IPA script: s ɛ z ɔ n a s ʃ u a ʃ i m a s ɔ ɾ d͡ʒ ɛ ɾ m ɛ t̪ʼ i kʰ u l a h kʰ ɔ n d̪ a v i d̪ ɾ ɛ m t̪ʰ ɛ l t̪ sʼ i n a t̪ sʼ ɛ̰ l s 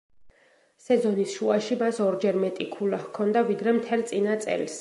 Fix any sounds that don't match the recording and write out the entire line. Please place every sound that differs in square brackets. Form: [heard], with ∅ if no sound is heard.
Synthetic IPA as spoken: s ɛ z ɔ n [i] s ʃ u a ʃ i m a s ɔ ɾ d͡ʒ ɛ ɾ m ɛ t̪ʼ i kʰ u l a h kʰ ɔ n d̪ a v i d̪ ɾ ɛ m t̪ʰ ɛ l t̪ sʼ i n a t̪ sʼ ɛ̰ l s